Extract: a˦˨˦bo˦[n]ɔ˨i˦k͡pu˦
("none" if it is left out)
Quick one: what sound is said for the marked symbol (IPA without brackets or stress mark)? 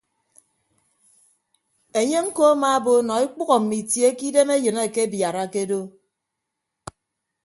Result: n